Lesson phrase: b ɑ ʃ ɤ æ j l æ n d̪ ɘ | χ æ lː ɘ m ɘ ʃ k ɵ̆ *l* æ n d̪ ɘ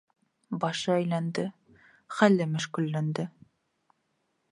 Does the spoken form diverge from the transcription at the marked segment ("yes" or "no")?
yes